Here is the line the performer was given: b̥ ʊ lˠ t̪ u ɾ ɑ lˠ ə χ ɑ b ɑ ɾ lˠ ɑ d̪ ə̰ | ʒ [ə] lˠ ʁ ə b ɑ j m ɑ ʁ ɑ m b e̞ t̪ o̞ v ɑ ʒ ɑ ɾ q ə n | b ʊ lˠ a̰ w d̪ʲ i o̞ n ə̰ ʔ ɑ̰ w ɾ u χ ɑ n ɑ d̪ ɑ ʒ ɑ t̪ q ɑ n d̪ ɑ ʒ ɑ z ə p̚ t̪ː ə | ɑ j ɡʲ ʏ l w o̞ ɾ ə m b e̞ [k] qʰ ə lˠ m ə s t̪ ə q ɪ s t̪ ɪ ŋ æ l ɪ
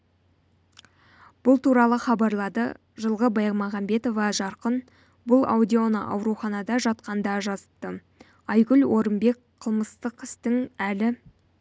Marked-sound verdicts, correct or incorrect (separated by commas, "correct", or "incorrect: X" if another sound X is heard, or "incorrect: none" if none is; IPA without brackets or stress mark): correct, correct